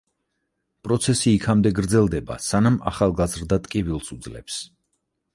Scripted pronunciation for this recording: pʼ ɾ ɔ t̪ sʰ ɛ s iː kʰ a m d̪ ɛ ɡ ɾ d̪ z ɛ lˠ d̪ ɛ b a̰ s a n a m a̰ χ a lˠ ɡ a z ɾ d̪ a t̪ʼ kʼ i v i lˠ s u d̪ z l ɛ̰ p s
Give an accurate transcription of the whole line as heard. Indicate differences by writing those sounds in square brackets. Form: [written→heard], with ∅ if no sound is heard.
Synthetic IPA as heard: pʼ ɾ ɔ t̪ sʰ ɛ s iː kʰ a m d̪ ɛ ɡ ɾ d̪ z ɛ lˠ d̪ ɛ b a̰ s a n a m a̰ χ a lˠ ɡ a z ɾ d̪ a t̪ʼ kʼ i v i lˠ s u d̪ z l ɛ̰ p s